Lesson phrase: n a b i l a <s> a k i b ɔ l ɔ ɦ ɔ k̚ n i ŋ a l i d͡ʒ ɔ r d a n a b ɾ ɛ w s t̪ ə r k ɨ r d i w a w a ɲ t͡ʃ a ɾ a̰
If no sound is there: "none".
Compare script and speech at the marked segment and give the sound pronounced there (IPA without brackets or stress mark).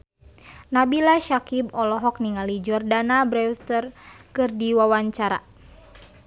ʃ